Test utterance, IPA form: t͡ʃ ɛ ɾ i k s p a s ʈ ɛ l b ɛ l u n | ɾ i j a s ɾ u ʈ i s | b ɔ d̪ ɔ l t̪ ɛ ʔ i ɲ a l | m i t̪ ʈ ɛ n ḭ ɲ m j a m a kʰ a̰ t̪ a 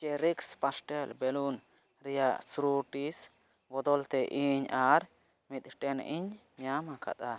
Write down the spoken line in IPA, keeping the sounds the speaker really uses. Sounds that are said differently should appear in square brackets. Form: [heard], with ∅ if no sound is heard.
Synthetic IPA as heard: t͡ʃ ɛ ɾ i k s p a s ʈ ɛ l b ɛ l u n | ɾ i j a s ɾ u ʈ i s | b ɔ d̪ ɔ l t̪ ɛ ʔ i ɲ a [ɾ] | m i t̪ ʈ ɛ n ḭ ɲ m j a m a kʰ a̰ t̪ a